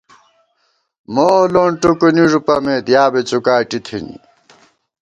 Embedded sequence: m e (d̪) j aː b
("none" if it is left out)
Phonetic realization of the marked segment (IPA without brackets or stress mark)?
d̪